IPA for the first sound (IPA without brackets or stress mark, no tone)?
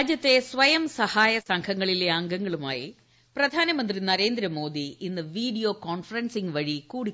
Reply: d͡ʑ